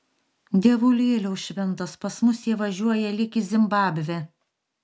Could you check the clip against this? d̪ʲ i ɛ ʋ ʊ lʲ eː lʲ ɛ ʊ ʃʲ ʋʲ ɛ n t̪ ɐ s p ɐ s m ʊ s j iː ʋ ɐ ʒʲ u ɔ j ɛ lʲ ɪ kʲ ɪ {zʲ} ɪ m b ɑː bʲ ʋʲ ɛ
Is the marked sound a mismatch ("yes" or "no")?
no